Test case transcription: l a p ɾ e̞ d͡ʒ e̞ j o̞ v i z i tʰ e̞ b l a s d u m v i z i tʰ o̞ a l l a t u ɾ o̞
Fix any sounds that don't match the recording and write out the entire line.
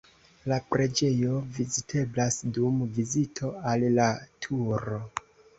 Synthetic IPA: l a p ɾ e̞ d͡ʒ e̞ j o̞ v i z i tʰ e̞ b l a s d u m v i z i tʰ o̞ a l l a tʰ u ɾ o̞